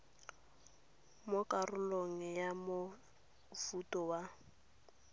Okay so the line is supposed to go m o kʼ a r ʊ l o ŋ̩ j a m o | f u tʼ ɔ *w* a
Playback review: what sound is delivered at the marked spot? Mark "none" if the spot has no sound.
w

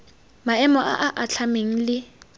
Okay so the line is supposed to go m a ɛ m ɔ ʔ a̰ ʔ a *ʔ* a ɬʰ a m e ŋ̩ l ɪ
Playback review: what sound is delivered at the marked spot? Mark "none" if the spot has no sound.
ʔ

